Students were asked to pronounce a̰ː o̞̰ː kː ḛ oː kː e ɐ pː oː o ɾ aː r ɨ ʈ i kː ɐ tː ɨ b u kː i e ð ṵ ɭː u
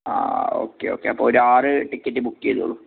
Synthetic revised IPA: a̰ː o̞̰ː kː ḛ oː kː e ɐ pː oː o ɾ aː r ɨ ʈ i kː ɐ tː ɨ b u kː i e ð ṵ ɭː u